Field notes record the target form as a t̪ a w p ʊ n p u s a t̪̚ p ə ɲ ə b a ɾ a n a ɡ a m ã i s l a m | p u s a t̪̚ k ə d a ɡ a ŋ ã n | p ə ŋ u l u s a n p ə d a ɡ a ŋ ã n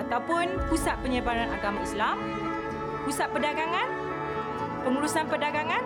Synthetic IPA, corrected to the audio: a t̪ a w p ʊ n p u s a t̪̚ p ə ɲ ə b a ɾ a n a ɡ a m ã i s l a m | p u s a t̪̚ p ə d a ɡ a ŋ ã n | p ə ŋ u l u s a n p ə d a ɡ a ŋ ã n